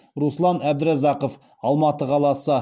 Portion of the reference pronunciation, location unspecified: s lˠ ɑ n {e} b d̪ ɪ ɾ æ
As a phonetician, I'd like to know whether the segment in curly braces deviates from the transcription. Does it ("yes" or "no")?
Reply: yes